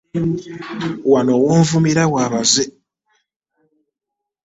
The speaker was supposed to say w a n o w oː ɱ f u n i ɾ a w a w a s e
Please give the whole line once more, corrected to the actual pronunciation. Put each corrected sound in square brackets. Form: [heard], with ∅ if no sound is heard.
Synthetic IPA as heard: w a n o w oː ɱ [v] u [m] i ɾ a w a [β] a [z] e